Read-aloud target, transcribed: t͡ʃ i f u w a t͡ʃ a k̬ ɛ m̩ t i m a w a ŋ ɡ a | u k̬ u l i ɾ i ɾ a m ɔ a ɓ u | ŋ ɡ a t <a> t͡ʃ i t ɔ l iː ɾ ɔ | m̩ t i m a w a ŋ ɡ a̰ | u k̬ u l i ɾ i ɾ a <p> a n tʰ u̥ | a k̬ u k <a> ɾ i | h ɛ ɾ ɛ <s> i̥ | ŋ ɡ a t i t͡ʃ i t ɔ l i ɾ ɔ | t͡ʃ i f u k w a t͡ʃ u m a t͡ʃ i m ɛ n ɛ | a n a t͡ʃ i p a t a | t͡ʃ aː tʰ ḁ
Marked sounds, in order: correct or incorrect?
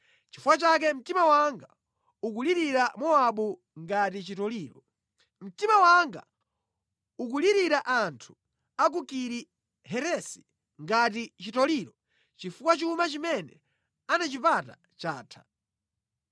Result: incorrect, incorrect, incorrect, correct

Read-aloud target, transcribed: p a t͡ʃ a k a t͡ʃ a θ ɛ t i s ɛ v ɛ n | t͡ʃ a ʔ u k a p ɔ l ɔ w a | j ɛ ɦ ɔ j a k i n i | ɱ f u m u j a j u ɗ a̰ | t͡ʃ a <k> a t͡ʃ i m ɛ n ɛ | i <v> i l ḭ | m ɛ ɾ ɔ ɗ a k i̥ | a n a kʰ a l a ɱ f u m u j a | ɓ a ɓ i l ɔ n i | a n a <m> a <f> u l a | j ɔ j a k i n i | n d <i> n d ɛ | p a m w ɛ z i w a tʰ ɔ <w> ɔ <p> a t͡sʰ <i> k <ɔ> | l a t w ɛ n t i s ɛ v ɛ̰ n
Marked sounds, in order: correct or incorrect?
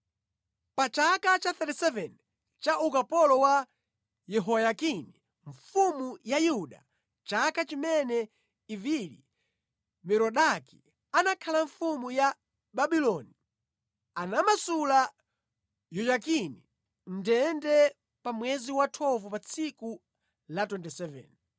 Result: correct, correct, correct, incorrect, incorrect, incorrect, correct, correct, incorrect

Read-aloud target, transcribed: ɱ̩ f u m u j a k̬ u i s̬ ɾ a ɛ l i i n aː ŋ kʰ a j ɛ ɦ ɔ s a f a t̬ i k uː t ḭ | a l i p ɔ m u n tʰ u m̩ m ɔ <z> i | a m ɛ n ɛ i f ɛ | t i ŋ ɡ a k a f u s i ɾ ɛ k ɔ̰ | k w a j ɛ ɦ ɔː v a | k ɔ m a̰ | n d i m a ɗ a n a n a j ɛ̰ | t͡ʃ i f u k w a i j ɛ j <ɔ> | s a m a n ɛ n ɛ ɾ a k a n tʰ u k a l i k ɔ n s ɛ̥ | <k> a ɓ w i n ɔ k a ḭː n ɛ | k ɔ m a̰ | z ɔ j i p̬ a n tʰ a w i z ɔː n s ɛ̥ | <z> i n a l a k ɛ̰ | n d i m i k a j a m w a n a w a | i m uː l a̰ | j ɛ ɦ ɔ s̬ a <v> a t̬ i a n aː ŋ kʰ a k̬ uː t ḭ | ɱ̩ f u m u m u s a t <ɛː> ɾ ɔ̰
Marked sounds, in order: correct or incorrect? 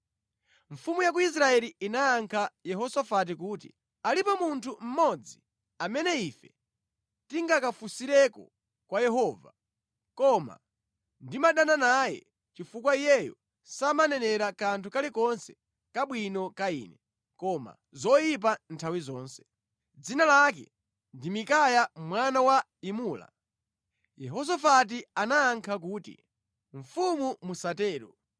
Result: incorrect, correct, correct, incorrect, incorrect, correct

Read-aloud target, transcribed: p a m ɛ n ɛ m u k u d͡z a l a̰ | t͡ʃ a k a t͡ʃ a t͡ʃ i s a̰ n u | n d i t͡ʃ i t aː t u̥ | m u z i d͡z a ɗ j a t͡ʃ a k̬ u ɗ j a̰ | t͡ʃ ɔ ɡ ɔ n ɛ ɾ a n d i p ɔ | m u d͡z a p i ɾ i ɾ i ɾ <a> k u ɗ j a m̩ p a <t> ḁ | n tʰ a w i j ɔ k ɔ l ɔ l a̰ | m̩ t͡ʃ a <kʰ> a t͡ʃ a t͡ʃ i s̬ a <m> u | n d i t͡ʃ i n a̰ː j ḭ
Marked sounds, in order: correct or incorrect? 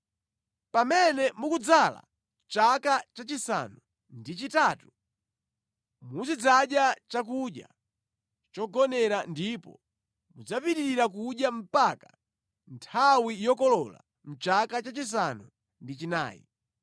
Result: correct, incorrect, incorrect, incorrect

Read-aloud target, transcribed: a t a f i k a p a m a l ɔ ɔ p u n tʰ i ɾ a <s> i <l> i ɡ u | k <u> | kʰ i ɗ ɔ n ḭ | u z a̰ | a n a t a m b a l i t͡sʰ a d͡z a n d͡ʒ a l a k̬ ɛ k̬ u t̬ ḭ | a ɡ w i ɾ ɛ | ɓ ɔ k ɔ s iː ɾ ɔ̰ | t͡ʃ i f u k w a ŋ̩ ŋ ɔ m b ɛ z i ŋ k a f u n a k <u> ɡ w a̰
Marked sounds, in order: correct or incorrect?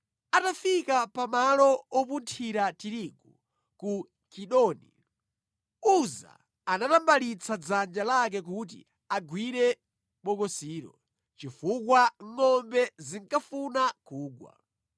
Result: incorrect, incorrect, correct, incorrect

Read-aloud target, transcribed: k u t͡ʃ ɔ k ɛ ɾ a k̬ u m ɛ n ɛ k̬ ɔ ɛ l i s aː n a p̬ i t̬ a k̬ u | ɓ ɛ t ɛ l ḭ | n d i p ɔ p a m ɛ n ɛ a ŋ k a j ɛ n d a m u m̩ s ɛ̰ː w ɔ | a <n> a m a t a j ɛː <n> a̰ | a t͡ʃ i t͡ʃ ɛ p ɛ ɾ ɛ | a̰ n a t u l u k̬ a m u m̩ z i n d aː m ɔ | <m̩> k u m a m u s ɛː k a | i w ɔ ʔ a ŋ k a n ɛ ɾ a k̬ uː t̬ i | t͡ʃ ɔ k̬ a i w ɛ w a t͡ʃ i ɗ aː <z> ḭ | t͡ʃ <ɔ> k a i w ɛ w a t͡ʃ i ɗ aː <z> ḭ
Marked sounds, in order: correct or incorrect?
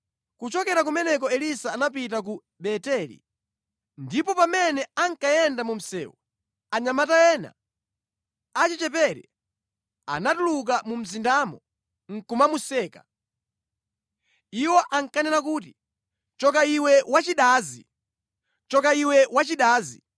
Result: incorrect, correct, incorrect, correct, correct, correct

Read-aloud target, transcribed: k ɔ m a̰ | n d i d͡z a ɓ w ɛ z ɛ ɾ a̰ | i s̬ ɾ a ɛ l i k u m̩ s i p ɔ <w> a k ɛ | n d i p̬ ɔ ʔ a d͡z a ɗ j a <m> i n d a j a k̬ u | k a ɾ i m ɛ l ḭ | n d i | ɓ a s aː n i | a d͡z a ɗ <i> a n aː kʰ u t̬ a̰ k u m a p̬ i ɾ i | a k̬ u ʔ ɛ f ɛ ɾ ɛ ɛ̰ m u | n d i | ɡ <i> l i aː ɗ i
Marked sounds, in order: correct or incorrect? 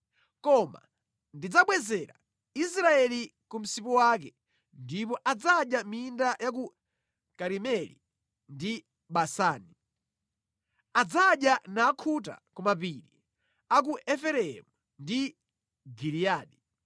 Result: correct, correct, incorrect, correct

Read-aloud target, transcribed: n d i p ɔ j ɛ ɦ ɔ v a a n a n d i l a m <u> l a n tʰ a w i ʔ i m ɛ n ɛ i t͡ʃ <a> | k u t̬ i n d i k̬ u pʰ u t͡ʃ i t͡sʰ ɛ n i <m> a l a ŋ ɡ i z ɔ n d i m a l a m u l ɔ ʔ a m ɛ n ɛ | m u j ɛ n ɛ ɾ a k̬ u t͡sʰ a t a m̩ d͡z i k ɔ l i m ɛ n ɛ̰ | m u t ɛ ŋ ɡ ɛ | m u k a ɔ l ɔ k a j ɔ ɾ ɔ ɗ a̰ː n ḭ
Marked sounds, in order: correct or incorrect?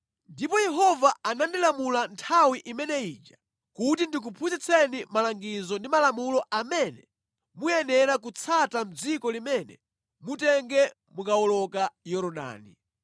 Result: correct, correct, correct

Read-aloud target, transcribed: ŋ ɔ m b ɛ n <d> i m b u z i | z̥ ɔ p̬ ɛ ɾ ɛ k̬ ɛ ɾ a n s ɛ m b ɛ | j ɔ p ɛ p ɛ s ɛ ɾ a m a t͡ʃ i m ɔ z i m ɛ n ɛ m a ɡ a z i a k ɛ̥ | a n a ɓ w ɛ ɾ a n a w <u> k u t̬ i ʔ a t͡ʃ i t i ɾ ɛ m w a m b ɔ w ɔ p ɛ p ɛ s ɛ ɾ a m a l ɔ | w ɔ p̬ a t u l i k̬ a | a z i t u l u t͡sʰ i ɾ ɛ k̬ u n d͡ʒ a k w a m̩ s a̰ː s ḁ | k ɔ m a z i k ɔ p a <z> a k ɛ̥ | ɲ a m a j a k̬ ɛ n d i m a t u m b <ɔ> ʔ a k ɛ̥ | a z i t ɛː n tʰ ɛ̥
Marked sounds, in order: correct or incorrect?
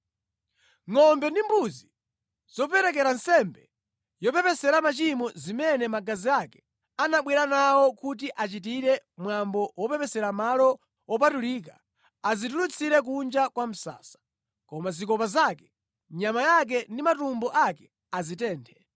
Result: correct, incorrect, correct, correct

